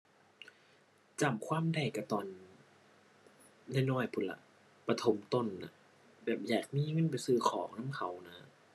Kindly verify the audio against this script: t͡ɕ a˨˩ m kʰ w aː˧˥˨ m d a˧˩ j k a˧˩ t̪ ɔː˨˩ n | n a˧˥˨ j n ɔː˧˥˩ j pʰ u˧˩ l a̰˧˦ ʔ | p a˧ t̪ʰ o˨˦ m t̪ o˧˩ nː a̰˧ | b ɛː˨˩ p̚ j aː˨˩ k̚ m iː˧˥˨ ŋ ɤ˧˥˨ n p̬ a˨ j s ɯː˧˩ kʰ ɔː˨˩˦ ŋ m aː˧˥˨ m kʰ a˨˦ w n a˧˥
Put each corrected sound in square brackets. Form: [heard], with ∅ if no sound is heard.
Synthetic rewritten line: t͡ɕ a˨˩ m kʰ w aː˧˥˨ m d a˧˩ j k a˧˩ t̪ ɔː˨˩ n | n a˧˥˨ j n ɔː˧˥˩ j pʰ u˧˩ l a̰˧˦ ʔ | p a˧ t̪ʰ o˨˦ m t̪ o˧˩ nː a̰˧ | b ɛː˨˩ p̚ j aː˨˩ k̚ m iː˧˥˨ ŋ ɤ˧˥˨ n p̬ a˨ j s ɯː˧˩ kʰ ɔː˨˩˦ ŋ [n] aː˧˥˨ m kʰ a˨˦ w n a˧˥

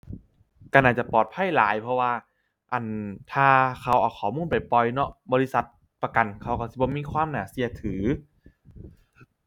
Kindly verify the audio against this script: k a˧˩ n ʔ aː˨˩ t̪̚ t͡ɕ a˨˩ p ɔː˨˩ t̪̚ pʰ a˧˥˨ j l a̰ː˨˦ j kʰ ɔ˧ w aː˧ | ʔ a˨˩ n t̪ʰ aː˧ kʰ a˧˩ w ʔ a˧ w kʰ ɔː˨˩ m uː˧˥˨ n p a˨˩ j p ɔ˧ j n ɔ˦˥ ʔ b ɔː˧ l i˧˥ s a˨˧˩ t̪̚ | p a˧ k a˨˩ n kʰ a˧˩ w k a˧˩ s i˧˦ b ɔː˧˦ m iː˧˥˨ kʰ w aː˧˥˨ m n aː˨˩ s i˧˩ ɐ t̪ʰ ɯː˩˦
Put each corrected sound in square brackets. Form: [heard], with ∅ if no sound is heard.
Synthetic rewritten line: k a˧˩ n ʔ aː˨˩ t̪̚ t͡ɕ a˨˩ p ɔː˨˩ t̪̚ pʰ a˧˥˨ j l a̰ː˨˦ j [pʰ] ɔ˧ w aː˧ | ʔ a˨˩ n t̪ʰ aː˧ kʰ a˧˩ w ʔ [a˨˩] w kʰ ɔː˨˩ m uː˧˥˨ n p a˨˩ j p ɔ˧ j n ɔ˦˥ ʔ b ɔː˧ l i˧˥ s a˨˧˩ t̪̚ | p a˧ k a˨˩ n kʰ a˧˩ w k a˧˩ s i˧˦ b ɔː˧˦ m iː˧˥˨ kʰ w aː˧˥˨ m n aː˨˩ s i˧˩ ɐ t̪ʰ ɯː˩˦

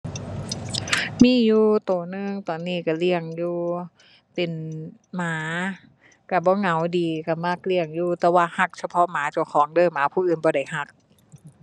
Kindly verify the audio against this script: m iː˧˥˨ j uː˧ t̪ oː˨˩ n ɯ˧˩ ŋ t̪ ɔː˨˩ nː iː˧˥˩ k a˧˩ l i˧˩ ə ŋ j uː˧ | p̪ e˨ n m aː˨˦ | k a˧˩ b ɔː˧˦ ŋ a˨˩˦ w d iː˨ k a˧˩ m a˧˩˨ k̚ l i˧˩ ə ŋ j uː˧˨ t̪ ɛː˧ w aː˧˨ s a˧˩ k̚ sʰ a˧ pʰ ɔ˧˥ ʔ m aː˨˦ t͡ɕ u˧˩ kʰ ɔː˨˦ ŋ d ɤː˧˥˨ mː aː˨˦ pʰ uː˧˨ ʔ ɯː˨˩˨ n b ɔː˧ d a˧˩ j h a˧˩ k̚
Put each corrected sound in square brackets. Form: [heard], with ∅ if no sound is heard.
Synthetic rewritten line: m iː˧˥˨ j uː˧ t̪ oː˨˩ n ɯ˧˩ ŋ t̪ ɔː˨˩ nː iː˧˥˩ k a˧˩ l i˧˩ ə ŋ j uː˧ | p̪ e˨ n m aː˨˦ | k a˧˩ b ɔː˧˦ ŋ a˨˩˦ w d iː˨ k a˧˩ m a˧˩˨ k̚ l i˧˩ ə ŋ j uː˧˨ t̪ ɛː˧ w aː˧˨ [h] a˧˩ k̚ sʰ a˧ pʰ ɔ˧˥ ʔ m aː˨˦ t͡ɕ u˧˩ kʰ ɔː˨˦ ŋ d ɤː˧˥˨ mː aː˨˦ pʰ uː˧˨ ʔ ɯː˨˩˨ n b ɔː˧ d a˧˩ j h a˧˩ k̚

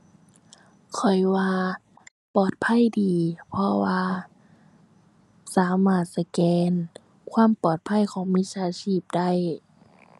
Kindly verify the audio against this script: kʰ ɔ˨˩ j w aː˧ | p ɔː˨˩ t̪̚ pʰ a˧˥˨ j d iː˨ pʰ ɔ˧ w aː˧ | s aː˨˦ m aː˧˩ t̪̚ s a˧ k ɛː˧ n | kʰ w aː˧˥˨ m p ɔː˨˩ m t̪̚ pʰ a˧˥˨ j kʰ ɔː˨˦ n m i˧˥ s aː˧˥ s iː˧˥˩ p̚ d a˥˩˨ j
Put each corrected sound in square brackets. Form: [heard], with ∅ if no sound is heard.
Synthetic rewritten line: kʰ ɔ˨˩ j w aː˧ | p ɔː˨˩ t̪̚ pʰ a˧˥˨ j d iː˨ pʰ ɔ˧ w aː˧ | s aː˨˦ m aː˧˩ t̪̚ s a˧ k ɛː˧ n | kʰ w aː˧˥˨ m p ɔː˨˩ [∅] t̪̚ pʰ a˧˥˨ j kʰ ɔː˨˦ [ŋ] m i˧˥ s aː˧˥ s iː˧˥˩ p̚ d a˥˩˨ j

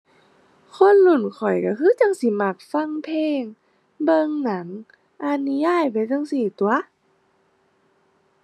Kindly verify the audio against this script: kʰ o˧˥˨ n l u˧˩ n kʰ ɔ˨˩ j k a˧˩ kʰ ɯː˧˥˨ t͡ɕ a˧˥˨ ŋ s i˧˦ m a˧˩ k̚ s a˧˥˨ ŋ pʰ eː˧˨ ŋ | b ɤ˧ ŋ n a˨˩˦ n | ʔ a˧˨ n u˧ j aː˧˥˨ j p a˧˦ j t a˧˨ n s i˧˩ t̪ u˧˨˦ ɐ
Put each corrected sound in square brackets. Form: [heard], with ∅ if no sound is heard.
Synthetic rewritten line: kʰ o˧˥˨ n l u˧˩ n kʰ ɔ˨˩ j k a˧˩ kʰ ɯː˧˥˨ t͡ɕ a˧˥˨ ŋ s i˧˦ m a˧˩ k̚ [f] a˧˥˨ ŋ pʰ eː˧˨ ŋ | b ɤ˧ ŋ n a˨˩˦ [ŋ] | ʔ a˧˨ n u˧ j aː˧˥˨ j p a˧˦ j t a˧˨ [ŋ] s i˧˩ t̪ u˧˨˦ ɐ

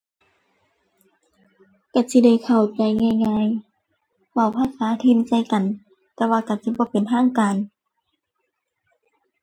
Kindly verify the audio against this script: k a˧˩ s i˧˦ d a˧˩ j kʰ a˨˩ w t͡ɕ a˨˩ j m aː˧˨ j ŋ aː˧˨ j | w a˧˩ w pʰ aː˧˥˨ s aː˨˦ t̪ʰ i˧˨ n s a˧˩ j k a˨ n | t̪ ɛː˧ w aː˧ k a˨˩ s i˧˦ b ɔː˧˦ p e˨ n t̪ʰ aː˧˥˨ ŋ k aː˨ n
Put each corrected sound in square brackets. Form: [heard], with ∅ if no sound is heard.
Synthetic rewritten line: k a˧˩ s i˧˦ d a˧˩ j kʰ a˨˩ w t͡ɕ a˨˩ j [ŋ] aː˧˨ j ŋ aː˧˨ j | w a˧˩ w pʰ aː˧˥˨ s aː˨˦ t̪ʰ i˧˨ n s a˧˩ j k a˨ n | t̪ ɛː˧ w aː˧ k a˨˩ s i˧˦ b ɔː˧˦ p e˨ n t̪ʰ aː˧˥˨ ŋ k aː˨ n

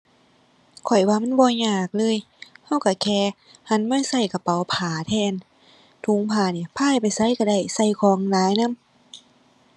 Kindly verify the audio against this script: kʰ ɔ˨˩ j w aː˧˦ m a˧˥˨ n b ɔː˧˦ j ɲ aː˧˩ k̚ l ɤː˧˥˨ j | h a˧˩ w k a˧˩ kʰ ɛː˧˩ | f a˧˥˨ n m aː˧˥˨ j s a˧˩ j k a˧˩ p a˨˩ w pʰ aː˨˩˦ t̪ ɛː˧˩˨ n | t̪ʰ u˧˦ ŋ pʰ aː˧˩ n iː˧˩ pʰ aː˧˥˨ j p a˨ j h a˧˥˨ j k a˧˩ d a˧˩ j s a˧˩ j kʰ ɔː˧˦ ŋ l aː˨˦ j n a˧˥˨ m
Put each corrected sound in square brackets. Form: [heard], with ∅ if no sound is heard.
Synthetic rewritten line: kʰ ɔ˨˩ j w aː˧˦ m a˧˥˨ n b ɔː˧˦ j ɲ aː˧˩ k̚ l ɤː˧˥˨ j | h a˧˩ w k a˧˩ kʰ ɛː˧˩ | [h] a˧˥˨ n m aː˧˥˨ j s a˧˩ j k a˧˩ p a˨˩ w pʰ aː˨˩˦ [t̪ʰ] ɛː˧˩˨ n | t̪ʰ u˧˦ ŋ pʰ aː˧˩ n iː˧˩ pʰ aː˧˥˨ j p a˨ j [s] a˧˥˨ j k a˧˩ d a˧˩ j s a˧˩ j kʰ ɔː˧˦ ŋ l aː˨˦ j n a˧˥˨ m

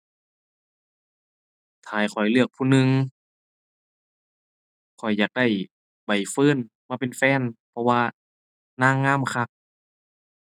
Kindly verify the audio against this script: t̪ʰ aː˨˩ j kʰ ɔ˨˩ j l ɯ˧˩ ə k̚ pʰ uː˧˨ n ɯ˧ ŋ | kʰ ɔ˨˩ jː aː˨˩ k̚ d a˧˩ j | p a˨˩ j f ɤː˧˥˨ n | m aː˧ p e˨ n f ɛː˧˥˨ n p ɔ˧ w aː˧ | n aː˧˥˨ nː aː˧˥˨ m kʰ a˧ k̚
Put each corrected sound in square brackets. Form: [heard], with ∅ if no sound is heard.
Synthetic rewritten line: t̪ʰ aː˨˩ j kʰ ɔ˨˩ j l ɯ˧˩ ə k̚ pʰ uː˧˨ n ɯ˧ ŋ | kʰ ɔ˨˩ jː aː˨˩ k̚ d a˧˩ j | [b] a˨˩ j f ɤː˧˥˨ n | m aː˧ p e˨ n f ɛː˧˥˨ n [pʰ] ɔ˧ w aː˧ | n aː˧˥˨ [ŋː] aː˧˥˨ m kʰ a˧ k̚

